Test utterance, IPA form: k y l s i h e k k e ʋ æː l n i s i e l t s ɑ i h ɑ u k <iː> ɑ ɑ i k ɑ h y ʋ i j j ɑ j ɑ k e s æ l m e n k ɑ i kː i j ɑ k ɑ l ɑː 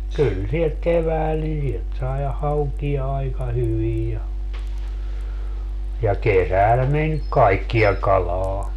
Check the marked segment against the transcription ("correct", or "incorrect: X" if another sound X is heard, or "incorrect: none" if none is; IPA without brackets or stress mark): incorrect: i